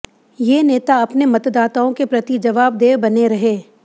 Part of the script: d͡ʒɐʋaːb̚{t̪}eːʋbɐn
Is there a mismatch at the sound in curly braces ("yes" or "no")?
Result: yes